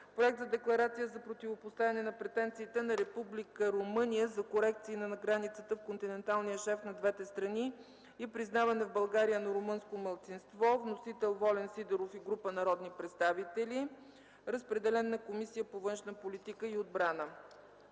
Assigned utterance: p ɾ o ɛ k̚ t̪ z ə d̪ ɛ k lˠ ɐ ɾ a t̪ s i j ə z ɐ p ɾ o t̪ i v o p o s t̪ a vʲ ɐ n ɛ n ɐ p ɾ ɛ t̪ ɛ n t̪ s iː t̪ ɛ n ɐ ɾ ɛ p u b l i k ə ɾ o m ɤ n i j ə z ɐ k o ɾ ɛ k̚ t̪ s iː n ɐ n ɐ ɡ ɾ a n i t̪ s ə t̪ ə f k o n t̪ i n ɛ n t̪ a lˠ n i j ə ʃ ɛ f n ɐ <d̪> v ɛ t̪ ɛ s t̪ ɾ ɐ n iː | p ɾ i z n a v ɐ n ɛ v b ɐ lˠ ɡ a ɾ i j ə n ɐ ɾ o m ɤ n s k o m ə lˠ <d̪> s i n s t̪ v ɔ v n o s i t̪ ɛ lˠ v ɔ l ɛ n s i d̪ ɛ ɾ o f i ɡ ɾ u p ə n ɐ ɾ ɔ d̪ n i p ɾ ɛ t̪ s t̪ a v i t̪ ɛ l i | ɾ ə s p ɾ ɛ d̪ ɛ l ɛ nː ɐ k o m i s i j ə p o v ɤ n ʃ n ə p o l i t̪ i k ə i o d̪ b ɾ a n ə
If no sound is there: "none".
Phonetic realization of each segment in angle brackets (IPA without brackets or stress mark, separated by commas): d̪, t̪